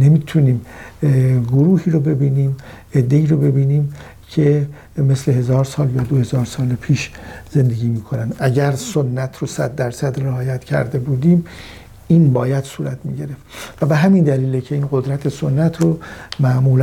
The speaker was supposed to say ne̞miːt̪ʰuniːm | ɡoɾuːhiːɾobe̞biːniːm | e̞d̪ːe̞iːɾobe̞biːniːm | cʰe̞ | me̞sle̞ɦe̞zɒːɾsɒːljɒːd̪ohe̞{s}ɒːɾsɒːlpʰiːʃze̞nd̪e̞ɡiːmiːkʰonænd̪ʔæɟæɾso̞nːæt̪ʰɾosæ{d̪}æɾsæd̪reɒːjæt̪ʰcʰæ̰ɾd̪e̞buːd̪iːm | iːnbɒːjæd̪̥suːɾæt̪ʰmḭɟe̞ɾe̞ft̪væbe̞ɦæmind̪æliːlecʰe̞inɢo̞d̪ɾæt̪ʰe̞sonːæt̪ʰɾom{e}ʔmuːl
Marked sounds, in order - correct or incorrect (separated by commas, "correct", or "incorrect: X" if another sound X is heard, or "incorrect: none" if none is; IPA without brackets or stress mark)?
incorrect: z, incorrect: d̪ː, incorrect: æ